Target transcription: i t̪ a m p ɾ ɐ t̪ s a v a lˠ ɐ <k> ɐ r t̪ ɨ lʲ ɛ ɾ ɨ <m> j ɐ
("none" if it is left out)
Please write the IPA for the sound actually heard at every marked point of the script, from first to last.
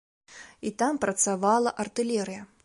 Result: ʔ, none

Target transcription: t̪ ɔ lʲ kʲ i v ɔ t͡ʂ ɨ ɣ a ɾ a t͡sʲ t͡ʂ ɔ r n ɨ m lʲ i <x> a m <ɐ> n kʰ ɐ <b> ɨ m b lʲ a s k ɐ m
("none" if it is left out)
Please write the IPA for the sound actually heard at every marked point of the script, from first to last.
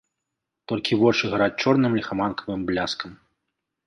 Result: x, a, v

